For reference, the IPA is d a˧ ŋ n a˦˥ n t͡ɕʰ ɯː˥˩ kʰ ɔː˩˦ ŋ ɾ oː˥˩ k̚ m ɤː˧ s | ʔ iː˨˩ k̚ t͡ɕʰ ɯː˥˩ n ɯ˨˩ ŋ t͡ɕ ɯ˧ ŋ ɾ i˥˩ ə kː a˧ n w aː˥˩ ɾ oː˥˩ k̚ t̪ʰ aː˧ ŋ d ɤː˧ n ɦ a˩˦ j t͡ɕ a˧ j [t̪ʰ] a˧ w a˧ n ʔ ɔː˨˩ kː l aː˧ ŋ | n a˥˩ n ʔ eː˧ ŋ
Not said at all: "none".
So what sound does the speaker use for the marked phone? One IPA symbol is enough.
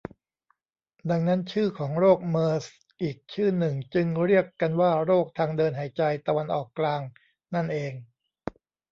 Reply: t̪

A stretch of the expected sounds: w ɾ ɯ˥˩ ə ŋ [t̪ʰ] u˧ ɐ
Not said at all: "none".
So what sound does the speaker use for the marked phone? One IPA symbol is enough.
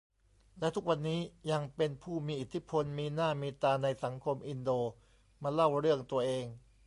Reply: t̪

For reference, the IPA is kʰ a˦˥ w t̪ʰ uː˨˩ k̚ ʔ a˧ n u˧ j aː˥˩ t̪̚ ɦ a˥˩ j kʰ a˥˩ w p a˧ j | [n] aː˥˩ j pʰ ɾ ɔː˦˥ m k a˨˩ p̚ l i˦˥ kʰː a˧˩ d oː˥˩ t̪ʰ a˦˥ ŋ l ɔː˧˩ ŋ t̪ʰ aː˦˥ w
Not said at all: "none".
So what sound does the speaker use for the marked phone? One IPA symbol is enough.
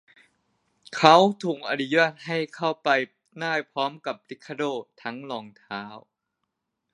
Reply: n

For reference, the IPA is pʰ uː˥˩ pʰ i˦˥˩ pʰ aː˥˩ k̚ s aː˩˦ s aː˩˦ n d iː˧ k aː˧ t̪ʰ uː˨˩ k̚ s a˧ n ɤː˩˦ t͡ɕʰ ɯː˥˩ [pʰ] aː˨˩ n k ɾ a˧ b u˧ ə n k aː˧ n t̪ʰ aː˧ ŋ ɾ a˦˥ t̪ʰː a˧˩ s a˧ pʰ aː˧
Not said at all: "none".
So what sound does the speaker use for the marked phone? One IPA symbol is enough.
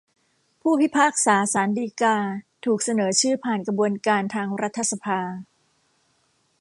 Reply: pʰ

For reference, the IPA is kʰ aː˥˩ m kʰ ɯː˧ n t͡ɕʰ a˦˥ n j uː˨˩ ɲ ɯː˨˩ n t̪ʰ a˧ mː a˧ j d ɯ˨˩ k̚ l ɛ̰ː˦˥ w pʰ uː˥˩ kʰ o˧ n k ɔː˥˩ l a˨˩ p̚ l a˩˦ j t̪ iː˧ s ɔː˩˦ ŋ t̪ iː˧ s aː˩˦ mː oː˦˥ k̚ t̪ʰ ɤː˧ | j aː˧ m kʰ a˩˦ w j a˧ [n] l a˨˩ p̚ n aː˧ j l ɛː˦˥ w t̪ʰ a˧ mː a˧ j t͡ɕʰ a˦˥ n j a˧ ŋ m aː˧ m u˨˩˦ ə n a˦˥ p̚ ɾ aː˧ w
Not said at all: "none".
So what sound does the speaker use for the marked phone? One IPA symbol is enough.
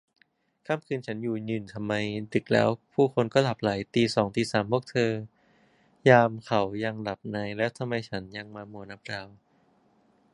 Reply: ŋ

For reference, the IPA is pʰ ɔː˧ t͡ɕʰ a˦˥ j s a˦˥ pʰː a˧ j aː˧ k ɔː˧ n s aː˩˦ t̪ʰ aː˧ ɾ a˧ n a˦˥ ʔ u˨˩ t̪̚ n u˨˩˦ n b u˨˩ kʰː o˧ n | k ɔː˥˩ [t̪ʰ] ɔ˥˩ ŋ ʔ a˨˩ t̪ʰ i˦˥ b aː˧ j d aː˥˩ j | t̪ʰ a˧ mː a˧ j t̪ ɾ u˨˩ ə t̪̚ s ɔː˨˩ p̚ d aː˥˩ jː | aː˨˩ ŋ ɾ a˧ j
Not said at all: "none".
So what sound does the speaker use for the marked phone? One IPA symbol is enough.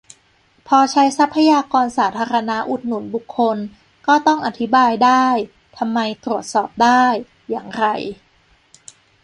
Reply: t̪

